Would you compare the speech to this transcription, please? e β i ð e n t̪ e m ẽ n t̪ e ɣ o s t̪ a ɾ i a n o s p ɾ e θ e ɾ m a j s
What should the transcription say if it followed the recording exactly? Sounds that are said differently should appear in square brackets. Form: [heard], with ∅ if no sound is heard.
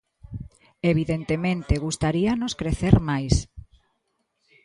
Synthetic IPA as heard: e β i ð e n t̪ e m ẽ n t̪ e ɣ [u] s t̪ a ɾ i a n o s [k] ɾ e θ e ɾ m a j s